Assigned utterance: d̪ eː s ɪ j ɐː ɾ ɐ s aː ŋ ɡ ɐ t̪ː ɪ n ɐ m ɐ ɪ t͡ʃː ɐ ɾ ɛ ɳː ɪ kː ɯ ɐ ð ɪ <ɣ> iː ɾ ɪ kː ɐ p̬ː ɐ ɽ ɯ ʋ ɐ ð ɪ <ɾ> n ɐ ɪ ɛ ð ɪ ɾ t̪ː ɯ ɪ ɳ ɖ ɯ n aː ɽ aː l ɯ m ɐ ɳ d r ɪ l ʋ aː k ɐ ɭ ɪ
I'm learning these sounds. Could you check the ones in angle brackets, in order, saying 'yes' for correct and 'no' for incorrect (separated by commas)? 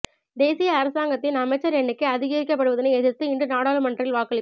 yes, no